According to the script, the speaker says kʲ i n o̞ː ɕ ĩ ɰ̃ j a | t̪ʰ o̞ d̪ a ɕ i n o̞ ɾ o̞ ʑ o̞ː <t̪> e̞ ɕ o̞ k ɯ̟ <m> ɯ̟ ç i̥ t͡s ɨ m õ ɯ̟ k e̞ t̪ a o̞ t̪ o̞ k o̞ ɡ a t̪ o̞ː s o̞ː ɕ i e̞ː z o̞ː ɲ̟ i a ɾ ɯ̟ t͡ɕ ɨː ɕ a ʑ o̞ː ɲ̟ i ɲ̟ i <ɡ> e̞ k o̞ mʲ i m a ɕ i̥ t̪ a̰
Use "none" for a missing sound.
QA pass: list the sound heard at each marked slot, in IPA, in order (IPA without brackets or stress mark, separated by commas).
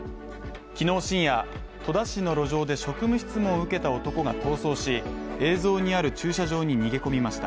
d̪, m, ɡ